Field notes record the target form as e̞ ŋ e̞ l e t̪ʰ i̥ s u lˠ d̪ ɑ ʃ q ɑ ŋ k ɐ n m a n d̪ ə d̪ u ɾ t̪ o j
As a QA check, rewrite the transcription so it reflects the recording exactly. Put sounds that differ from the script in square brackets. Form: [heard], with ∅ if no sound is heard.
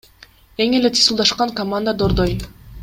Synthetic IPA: e̞ ŋ e̞ l e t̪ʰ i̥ s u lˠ d̪ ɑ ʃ q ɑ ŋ k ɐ [∅] m a n d̪ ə d̪ [o] ɾ [d̪] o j